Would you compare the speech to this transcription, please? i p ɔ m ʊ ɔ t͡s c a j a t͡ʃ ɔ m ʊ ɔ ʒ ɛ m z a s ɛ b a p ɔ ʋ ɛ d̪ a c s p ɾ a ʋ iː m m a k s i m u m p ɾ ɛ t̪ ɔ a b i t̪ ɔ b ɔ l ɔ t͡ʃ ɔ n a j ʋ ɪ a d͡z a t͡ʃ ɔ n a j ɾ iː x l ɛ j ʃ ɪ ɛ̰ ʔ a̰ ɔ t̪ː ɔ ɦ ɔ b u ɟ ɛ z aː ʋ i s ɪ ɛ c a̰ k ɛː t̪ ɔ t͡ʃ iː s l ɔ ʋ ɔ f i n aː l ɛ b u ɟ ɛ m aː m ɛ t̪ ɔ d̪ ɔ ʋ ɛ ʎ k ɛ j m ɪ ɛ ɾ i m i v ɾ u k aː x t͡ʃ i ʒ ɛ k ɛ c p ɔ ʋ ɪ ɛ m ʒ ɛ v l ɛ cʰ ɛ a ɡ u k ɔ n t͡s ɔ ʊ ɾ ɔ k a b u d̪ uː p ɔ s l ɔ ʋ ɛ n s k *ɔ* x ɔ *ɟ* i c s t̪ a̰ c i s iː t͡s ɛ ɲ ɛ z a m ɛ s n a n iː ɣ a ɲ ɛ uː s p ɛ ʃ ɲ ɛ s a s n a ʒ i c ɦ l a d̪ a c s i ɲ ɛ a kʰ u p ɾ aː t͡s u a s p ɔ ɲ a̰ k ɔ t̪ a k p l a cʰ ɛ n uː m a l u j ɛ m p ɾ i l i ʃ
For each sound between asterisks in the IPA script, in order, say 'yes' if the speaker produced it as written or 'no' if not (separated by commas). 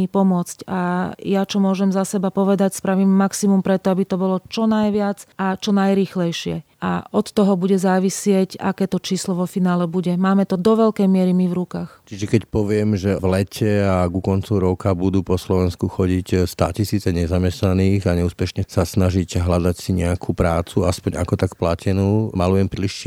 no, yes